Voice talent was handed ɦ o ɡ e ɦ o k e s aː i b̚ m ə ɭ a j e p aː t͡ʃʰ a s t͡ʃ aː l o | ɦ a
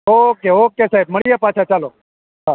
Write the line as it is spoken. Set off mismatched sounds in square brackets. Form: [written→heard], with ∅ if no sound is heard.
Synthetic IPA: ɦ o [ɡ→k] e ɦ o k e s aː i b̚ m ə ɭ [a→i] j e p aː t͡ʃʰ a [s→∅] t͡ʃ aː l o | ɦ a